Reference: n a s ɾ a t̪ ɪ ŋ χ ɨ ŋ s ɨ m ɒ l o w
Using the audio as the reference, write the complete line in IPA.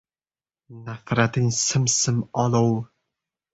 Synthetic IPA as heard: n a f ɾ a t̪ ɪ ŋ s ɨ m s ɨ m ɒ l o w